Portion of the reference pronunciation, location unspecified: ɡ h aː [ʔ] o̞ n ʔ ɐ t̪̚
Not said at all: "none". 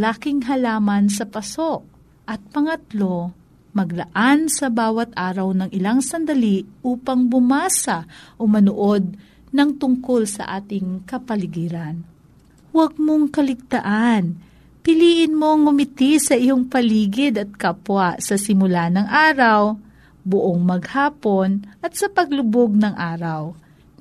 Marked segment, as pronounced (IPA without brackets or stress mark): p